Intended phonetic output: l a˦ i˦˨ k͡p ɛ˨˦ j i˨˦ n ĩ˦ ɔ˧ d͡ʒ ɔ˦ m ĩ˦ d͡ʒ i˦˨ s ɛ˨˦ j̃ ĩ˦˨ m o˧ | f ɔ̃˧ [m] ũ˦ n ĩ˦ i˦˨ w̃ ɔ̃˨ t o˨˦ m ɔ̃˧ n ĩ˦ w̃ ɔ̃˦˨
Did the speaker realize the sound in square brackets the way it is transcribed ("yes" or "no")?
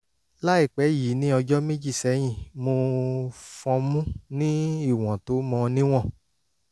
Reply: yes